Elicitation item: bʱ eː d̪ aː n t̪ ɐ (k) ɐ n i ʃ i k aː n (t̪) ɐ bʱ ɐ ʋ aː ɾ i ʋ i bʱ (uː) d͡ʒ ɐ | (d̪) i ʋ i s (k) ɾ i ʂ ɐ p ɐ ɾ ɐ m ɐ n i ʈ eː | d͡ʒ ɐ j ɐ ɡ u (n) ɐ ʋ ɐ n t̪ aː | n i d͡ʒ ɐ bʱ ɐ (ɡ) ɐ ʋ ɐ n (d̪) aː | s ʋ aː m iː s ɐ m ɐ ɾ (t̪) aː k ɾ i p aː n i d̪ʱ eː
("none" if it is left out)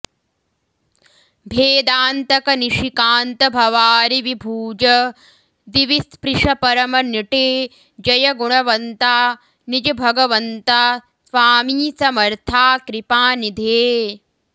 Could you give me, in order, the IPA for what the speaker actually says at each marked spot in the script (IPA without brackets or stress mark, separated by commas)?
k, t̪, uː, d̪, p, ɳ, ɡ, t̪, t̪ʰ